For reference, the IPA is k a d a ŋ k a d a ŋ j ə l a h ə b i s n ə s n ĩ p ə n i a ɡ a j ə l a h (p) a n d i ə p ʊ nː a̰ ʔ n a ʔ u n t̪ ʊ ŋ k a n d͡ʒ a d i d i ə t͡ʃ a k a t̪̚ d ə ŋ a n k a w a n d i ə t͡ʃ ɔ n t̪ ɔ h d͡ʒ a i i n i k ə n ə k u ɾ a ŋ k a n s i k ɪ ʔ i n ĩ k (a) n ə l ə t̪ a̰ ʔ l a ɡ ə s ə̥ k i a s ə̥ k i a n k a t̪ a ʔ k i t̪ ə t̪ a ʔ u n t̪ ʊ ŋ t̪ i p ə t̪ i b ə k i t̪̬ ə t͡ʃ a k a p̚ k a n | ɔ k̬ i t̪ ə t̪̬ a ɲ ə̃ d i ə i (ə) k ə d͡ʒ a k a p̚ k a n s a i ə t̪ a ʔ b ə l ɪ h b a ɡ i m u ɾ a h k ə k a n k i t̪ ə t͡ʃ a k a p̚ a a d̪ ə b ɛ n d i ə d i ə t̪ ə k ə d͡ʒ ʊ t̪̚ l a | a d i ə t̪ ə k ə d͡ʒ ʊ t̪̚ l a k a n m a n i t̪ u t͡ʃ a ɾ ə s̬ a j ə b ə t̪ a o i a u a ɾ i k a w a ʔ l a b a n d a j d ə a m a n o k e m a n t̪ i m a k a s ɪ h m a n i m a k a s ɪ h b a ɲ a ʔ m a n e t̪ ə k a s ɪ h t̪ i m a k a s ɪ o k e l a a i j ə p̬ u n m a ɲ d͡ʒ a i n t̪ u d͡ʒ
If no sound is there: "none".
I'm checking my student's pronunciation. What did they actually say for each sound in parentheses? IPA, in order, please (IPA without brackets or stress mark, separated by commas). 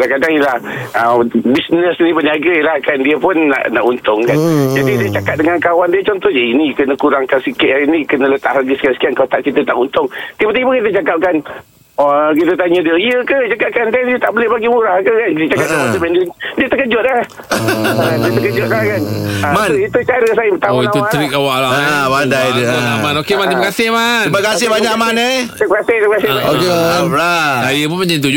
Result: k, ə, ə